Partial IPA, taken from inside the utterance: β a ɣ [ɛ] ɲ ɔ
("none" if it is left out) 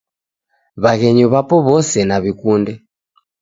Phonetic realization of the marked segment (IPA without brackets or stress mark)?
ɛ